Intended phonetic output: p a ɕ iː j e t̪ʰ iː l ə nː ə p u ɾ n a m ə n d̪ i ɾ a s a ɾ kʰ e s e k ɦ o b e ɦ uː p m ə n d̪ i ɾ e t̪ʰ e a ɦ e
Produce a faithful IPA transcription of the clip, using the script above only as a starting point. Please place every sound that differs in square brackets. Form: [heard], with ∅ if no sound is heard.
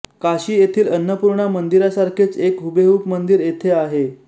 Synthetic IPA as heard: [k] a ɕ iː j e t̪ʰ iː l ə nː ə p u ɾ [ɳ] a m ə n d̪ i ɾ a s a ɾ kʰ e [t͡s] e k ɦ [u] b e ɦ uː p m ə n d̪ i ɾ e t̪ʰ e a ɦ e